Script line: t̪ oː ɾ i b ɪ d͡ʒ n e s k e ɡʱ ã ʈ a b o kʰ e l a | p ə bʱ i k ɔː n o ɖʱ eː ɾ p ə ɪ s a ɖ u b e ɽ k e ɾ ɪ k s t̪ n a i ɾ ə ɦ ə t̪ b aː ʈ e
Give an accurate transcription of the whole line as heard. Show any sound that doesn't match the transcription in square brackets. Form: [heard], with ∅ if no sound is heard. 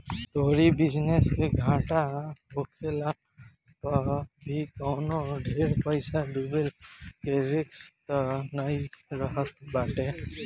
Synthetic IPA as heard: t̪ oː ɾ i b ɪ d͡ʒ n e s k e ɡʱ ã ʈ a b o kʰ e l a | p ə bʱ i k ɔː n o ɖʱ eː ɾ p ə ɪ s a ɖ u b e [l] k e ɾ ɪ k s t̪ n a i ɾ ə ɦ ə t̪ b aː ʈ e